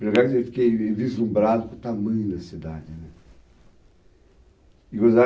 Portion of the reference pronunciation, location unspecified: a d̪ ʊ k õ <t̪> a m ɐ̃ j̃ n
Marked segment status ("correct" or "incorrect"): correct